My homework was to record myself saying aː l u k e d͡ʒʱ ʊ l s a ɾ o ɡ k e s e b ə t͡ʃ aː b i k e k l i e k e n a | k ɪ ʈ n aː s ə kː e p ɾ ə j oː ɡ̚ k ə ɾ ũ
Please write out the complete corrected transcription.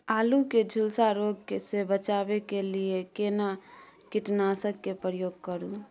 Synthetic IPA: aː l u k e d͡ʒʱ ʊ l s a ɾ o ɡ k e s e b ə t͡ʃ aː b e k e l i e k e n a | k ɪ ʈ n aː s ə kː e p ɾ ə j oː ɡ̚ k ə ɾ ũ